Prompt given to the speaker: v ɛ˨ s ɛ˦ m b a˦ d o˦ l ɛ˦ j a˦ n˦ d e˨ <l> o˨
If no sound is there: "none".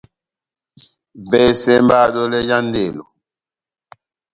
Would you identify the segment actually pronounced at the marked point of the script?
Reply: l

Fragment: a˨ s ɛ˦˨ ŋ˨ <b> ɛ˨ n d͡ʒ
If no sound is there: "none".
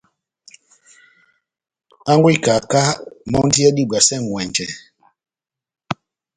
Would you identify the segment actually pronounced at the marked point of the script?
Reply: w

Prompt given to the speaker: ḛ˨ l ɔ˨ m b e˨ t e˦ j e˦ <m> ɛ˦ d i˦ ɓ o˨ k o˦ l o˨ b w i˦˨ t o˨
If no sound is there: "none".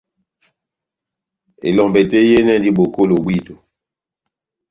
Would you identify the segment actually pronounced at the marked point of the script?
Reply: n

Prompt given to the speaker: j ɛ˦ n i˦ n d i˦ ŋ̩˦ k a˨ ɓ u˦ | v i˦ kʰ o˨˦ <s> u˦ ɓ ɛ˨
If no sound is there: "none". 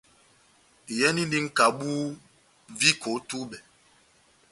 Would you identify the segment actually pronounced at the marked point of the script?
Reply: t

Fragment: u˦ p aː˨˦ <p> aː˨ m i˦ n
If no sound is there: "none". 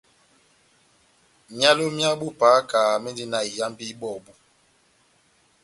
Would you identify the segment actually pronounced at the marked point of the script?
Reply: k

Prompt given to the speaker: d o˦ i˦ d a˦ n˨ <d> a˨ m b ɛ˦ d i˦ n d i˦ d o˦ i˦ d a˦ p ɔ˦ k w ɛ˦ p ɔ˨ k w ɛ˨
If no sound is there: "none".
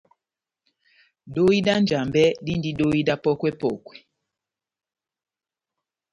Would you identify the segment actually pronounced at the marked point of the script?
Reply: d͡ʒ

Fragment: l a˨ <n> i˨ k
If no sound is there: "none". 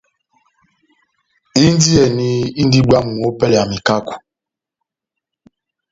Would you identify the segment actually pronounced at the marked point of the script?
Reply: m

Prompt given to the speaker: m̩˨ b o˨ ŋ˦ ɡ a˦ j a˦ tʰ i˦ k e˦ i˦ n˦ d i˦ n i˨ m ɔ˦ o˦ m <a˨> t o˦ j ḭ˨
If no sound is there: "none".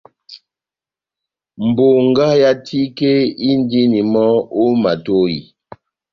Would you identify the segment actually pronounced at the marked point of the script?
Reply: a˨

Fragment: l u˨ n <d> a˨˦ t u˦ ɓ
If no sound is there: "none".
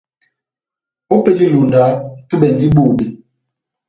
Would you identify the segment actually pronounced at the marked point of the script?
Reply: d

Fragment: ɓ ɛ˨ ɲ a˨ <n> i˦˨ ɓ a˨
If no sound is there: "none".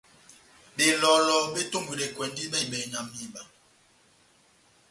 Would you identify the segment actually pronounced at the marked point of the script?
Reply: m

